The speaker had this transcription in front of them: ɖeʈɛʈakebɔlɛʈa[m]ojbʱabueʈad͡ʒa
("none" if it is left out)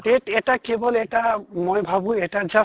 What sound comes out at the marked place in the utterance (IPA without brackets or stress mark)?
m